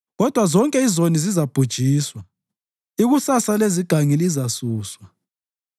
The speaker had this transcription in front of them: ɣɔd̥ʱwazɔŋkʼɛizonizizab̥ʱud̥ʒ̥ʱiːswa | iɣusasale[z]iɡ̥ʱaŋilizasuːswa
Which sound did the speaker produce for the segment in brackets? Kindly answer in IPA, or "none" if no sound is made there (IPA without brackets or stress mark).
z